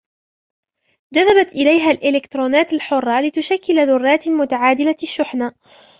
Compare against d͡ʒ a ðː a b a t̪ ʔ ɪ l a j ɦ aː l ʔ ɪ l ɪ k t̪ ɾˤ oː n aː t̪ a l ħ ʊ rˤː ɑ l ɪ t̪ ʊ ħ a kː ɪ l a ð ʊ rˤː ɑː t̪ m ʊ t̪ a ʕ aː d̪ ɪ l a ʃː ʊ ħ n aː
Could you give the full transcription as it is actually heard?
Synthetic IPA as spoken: d͡ʒ a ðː a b a t̪ ʔ ɪ l a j ɦ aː l ʔ ɪ l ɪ k t̪ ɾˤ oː n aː t̪ a l ħ ʊ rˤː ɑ l ɪ t̪ ʊ ʃ a kː ɪ l a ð ʊ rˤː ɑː t̪ m ʊ t̪ a ʕ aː d̪ ɪ l a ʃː ʊ ħ n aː